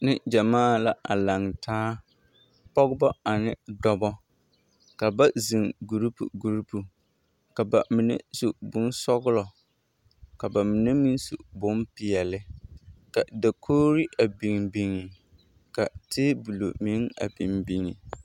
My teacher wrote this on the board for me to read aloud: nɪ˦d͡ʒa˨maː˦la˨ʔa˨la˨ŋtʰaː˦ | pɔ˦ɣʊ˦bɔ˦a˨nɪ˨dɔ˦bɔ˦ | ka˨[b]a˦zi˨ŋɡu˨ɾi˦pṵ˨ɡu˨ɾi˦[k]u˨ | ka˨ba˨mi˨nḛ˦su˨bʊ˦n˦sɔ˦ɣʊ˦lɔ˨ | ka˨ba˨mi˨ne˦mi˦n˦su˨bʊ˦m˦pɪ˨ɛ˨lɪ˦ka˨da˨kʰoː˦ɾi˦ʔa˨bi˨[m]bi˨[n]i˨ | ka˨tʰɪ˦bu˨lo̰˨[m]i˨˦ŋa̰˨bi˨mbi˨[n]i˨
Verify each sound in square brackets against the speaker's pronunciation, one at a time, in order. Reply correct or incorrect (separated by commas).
correct, incorrect, incorrect, incorrect, correct, incorrect